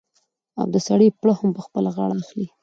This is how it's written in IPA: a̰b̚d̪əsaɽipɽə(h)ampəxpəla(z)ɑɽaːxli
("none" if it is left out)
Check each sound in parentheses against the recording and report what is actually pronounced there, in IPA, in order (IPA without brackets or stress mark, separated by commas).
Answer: h, ɣ